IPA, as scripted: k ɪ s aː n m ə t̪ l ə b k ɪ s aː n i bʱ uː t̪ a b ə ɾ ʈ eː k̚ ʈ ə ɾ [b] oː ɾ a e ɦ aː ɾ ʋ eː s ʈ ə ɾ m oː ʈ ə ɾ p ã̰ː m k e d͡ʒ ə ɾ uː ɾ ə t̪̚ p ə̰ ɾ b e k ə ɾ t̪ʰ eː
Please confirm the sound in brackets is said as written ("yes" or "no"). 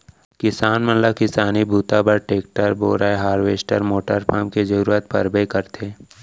yes